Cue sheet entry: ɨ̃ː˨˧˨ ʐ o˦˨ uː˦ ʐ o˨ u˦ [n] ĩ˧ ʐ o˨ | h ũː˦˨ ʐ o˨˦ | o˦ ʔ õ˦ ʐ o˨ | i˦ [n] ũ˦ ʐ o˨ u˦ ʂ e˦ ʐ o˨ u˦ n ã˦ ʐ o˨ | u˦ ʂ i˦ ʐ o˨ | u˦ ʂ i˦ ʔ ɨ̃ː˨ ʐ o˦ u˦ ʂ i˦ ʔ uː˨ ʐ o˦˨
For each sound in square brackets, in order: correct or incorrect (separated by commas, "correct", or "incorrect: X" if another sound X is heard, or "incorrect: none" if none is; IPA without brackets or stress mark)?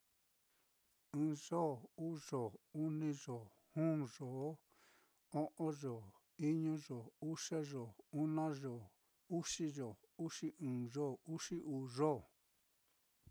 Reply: correct, incorrect: ɲ